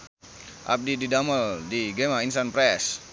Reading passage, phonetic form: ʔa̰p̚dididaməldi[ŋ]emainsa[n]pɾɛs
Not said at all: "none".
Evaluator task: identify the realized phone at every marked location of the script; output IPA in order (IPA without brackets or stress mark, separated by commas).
ɡ, n